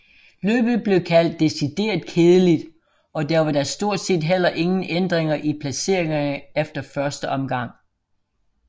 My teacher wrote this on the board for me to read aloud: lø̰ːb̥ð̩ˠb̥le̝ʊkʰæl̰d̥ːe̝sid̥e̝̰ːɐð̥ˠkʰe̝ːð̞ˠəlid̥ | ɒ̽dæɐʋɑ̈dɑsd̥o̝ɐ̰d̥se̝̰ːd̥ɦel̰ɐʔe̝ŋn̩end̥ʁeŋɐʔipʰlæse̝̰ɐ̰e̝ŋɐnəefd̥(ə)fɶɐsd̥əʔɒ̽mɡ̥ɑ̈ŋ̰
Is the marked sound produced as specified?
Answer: no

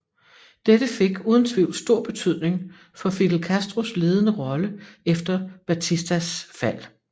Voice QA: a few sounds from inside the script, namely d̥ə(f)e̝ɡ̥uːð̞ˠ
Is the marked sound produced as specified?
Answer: yes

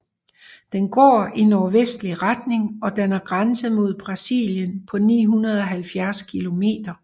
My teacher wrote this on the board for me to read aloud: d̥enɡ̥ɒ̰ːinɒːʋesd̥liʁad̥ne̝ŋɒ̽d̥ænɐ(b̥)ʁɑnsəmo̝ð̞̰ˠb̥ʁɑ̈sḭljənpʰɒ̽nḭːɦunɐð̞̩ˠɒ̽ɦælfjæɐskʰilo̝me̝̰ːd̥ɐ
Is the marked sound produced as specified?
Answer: no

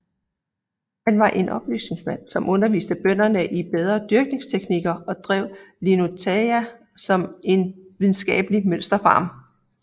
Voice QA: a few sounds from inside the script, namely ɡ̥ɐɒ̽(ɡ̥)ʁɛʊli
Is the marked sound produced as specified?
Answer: no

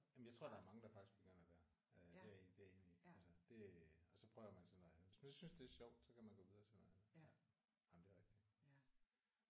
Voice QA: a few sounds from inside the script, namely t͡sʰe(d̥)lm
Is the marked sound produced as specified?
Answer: no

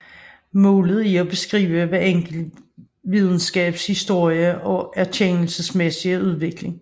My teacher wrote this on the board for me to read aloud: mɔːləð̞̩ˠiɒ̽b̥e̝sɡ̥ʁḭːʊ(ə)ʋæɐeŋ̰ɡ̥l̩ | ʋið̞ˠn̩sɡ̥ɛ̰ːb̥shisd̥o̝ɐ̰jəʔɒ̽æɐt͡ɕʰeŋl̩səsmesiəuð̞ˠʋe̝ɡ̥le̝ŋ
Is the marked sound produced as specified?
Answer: yes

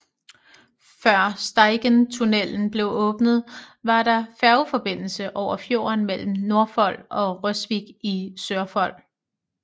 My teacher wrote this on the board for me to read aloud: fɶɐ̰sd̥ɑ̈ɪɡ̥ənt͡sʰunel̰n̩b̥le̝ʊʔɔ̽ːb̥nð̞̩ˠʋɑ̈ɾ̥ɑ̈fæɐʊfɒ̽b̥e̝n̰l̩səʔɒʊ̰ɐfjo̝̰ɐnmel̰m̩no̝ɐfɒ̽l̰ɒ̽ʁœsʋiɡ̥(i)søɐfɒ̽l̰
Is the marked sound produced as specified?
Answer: yes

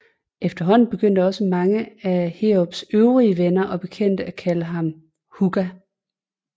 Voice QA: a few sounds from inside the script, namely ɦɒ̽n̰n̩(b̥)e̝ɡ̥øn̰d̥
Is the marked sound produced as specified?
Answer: yes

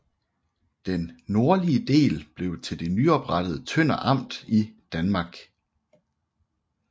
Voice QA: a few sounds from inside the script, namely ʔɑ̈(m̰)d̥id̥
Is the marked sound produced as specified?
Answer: yes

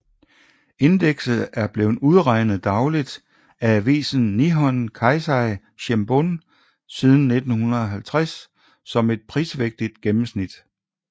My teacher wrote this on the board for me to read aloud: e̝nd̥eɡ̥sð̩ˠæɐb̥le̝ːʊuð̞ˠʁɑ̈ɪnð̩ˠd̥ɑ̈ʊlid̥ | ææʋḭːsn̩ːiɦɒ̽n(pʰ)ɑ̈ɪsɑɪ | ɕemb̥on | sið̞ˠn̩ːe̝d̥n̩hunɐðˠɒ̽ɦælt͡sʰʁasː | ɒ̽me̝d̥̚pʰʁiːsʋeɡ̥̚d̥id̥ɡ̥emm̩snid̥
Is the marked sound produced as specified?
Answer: no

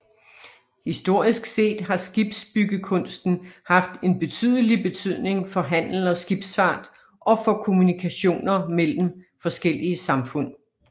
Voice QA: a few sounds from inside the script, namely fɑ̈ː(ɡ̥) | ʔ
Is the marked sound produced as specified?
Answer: no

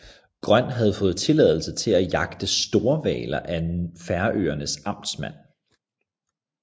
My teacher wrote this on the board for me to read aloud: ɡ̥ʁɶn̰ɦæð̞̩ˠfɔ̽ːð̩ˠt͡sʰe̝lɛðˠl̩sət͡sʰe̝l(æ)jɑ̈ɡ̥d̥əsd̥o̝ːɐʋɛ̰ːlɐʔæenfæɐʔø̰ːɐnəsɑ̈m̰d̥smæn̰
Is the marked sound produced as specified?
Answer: yes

